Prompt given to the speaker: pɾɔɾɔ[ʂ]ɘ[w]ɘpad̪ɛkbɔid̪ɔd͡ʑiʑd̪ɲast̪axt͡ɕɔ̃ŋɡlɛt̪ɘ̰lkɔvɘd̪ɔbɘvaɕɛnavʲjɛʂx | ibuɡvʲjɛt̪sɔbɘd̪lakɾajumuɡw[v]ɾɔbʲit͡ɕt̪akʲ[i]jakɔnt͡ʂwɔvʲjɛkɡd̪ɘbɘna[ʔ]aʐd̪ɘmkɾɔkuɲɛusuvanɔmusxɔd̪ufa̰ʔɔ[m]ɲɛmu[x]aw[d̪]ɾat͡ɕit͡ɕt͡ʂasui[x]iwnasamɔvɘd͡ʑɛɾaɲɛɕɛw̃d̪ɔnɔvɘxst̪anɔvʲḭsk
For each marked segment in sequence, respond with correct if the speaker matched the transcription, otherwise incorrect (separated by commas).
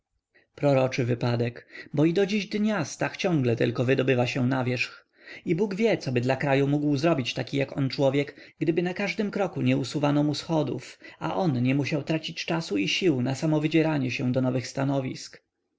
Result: incorrect, incorrect, incorrect, correct, incorrect, incorrect, incorrect, incorrect, incorrect